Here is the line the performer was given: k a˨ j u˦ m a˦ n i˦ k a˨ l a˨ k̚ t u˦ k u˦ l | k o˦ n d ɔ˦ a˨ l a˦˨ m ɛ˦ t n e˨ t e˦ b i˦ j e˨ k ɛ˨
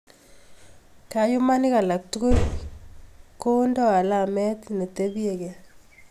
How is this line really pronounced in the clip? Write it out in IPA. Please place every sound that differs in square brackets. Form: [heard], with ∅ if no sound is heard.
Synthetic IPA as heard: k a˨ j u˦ m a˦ n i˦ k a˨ l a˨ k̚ t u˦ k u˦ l | k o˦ n d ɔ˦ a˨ l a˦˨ m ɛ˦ t n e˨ t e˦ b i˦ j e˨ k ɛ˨